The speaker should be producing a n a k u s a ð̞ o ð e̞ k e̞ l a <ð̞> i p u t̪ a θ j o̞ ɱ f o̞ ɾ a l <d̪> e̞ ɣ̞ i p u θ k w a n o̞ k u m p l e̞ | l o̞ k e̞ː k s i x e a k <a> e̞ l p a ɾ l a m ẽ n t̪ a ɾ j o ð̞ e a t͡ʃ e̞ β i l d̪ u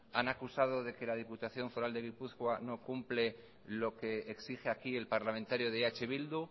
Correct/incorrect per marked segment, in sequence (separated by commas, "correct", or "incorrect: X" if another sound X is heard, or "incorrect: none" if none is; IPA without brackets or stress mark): correct, correct, incorrect: i